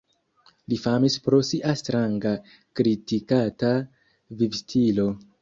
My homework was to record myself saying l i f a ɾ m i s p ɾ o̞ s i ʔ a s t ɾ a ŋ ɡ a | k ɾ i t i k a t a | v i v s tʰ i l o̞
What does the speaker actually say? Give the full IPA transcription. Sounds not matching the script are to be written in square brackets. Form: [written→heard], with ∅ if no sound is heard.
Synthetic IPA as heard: l i f a [ɾ→∅] m i s p ɾ o̞ s i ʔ a s t ɾ a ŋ ɡ a | k ɾ i t i k a t a | v i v s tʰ i l o̞